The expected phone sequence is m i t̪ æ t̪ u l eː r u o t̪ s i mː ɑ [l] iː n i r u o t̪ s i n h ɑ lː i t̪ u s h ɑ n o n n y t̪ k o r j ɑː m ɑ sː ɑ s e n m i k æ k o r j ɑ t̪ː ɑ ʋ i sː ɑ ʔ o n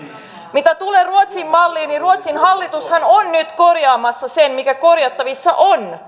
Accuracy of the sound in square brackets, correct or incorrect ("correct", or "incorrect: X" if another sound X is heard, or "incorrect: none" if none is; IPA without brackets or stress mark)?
incorrect: lː